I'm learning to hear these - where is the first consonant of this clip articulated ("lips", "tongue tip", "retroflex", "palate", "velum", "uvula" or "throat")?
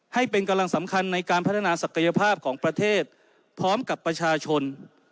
throat